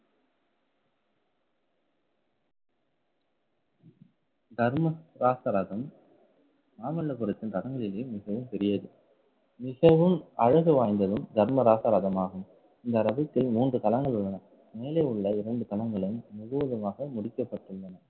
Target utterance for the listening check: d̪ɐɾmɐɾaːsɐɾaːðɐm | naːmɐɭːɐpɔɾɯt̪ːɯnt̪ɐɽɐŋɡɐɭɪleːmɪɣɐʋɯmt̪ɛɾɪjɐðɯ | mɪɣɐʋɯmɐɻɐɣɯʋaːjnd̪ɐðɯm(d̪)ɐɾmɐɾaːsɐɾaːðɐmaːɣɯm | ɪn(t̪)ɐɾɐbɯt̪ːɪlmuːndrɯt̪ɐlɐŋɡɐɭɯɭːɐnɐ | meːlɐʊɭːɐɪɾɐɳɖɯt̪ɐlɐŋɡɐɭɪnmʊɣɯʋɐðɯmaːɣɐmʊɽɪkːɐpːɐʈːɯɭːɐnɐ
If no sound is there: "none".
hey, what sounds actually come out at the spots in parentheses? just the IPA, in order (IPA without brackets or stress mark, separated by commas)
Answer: d̪, d̪